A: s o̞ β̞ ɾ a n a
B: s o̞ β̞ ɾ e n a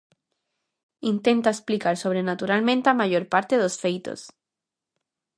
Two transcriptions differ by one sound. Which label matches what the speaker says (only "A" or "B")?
B